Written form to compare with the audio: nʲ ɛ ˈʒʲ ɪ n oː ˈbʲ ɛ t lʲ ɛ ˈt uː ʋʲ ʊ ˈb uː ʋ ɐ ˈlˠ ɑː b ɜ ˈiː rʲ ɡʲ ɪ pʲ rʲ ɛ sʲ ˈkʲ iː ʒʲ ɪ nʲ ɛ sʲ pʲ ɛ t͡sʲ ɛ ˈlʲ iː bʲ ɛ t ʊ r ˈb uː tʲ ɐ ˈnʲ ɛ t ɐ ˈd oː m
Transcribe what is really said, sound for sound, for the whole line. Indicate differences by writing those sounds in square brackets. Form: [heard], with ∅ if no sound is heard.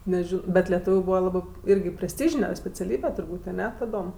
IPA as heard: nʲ ɛ ˈʒʲ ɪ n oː ˈbʲ ɛ t lʲ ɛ ˈt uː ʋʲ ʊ ˈb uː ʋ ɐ ˈlˠ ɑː b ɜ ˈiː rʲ ɡʲ ɪ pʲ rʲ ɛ sʲ [ˈtʲ] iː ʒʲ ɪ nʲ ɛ sʲ pʲ ɛ t͡sʲ ɛ ˈlʲ iː bʲ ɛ t ʊ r ˈb uː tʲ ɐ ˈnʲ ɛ t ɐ ˈd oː m